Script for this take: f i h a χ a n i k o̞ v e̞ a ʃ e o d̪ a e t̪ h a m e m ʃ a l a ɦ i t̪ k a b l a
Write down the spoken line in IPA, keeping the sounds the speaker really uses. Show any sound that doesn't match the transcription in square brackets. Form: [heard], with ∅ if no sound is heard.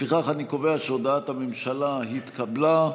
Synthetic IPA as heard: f i [χ] a χ a n i k o̞ v e̞ a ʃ e o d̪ a [a] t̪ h a m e m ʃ a l a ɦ i t̪ k a b l a